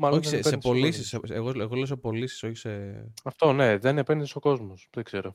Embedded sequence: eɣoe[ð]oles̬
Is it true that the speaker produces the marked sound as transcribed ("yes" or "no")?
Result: no